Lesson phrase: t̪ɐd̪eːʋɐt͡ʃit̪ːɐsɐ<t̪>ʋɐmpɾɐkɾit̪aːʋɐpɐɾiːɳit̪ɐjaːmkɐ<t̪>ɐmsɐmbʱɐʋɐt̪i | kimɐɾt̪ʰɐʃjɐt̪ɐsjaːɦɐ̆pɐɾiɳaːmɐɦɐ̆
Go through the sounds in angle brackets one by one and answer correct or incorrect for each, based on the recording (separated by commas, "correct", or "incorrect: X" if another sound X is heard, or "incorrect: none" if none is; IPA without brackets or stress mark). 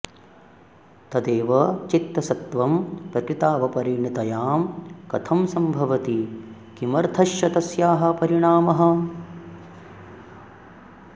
correct, incorrect: t̪ʰ